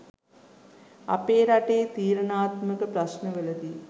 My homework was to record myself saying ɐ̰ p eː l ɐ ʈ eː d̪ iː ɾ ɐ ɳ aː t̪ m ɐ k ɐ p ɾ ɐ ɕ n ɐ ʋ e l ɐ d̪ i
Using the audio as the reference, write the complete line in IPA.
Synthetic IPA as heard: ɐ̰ p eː ɾ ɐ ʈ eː t̪ iː ɾ ɐ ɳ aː t̪ m ɐ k ɐ p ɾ ɐ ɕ n ɐ ʋ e l ɐ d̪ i